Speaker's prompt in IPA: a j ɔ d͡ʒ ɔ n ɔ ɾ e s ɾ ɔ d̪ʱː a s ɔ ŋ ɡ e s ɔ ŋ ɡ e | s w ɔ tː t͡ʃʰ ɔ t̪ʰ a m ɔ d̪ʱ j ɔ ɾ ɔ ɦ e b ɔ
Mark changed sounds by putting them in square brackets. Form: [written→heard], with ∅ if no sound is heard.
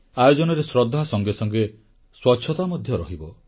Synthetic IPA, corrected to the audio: a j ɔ d͡ʒ ɔ n ɔ ɾ e s ɾ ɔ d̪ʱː a s ɔ ŋ ɡ e s ɔ ŋ ɡ e | s w ɔ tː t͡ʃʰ ɔ [t̪ʰ→t̪] a m ɔ d̪ʱ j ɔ ɾ ɔ ɦ [e→i] b ɔ